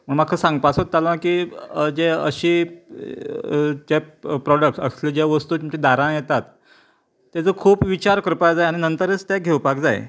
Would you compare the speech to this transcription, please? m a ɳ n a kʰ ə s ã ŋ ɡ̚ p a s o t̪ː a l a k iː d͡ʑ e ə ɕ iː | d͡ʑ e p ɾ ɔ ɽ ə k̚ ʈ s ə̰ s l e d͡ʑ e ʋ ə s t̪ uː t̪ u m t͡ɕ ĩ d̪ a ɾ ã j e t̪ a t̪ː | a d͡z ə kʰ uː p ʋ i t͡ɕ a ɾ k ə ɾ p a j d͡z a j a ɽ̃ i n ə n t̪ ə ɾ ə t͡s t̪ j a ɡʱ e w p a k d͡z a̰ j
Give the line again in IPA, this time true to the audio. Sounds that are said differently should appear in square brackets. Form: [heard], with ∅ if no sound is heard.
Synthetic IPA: m [ə] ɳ [m] a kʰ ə s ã ŋ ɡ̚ p a s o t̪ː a l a k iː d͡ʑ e ə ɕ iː | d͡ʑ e p ɾ ɔ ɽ ə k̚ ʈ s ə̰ s l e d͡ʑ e ʋ ə s t̪ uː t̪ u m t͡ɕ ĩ d̪ a ɾ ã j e t̪ a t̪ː | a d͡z ə kʰ uː p ʋ i t͡ɕ a ɾ k ə ɾ p a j d͡z a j a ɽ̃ i n ə n t̪ ə ɾ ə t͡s t̪ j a ɡʱ e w p a k d͡z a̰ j